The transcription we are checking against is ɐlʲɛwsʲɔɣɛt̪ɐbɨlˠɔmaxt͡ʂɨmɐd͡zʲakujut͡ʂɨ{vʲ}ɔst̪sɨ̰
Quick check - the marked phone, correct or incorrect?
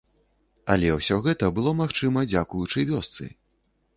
correct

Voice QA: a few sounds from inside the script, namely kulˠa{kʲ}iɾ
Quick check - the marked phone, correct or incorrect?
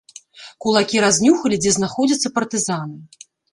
correct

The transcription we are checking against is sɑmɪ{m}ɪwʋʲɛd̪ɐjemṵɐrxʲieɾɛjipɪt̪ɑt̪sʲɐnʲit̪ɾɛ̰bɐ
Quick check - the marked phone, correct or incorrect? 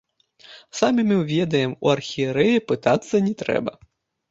correct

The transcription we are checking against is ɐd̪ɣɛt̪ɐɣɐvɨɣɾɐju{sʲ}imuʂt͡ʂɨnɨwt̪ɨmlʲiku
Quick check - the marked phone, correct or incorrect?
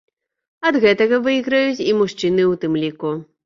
incorrect: t͡sʲ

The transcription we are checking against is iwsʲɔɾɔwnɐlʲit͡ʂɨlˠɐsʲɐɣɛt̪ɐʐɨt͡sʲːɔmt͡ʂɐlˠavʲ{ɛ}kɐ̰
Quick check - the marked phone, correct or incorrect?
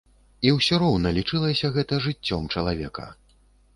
correct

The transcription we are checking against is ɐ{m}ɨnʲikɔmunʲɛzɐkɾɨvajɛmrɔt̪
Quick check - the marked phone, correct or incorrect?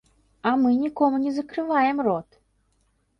correct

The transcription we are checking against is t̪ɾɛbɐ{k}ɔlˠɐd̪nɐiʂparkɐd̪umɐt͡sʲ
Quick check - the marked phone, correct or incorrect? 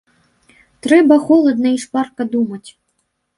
incorrect: x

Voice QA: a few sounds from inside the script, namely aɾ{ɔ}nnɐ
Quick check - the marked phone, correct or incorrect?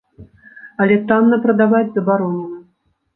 correct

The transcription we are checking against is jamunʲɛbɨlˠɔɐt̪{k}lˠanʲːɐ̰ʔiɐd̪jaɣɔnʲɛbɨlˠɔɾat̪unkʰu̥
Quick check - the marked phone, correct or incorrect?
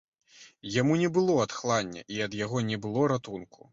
incorrect: x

